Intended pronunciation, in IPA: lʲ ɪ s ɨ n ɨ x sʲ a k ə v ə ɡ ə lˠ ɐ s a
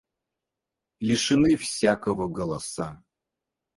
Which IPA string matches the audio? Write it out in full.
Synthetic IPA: lʲ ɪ ʂ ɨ n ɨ f sʲ a k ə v ə ɡ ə lˠ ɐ s a